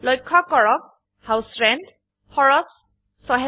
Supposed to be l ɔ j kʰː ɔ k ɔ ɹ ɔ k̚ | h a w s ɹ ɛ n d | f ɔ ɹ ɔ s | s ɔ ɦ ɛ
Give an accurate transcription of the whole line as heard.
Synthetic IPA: l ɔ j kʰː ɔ k ɔ ɹ ɔ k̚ | h a w s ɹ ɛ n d | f ɔ ɹ ɔ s | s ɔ ɦ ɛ